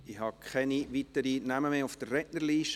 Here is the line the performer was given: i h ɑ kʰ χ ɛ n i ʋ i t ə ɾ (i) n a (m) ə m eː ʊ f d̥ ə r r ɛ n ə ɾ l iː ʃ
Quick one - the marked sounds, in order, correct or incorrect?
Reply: correct, correct

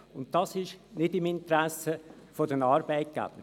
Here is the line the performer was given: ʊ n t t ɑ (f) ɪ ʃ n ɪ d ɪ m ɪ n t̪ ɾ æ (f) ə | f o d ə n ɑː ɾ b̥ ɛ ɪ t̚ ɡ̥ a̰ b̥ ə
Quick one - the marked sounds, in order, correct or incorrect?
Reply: incorrect: s, incorrect: s

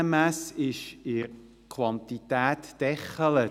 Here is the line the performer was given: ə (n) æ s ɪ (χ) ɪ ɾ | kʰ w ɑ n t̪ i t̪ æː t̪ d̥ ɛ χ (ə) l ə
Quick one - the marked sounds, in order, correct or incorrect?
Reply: incorrect: m, incorrect: ʃ, correct

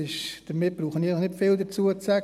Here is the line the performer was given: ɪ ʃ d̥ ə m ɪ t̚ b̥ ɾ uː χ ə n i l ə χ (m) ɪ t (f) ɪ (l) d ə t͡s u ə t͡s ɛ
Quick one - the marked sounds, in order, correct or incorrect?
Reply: incorrect: n, correct, correct

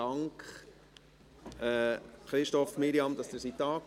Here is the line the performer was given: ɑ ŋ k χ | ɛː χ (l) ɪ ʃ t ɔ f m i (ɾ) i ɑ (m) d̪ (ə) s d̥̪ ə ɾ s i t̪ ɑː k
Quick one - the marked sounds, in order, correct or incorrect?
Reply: incorrect: ɾ, correct, correct, incorrect: ɑ

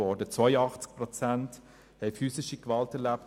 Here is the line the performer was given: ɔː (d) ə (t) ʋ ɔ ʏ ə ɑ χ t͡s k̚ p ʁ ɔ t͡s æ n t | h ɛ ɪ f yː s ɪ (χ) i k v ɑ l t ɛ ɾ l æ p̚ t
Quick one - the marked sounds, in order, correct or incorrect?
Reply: correct, incorrect: t͡s, incorrect: ʃ

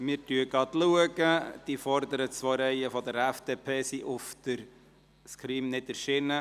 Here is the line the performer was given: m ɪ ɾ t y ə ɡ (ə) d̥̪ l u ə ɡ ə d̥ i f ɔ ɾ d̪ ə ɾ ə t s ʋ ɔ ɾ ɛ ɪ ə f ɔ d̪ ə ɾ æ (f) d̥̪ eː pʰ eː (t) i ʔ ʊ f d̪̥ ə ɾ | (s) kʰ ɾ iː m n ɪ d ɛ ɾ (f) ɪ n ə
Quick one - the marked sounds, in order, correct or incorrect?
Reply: incorrect: ɑ, correct, incorrect: s, correct, incorrect: ʃ

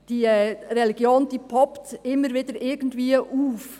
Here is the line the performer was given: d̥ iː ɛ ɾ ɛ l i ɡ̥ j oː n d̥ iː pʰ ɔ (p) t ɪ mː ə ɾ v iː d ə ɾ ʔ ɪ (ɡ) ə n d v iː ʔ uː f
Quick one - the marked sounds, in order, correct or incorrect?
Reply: correct, correct

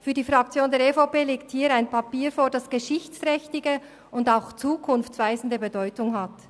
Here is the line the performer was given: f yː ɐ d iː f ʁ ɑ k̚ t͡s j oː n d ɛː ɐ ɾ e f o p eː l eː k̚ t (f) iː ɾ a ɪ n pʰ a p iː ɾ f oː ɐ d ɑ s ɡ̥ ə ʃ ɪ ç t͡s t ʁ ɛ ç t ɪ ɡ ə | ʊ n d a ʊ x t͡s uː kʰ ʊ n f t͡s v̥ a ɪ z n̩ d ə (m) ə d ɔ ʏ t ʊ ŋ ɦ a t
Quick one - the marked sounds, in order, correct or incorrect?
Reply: incorrect: h, incorrect: b

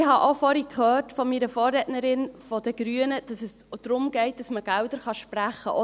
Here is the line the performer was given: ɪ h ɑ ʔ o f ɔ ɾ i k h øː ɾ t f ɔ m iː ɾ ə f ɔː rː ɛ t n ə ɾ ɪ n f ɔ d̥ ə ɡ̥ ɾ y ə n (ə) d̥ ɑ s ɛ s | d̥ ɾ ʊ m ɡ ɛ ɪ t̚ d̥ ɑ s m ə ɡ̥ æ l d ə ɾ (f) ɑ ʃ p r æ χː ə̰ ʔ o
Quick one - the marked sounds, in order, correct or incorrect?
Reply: correct, incorrect: χ

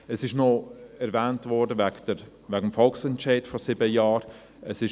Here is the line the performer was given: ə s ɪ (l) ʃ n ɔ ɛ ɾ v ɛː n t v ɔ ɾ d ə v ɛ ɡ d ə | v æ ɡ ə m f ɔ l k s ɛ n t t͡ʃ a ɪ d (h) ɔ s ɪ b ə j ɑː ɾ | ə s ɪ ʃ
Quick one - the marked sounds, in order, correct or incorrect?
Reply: incorrect: none, incorrect: f

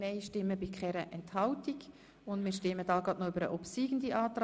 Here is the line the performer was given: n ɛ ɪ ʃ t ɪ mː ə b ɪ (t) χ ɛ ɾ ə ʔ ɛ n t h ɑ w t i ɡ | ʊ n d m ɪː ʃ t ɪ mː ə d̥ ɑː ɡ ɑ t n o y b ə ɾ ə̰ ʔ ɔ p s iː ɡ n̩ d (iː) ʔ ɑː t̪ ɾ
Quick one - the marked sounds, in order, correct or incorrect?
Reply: incorrect: k, incorrect: i

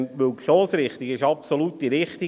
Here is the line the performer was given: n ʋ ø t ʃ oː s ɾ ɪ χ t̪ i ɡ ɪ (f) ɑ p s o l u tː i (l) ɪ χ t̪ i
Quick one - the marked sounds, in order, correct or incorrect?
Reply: incorrect: ʃ, incorrect: ɾ

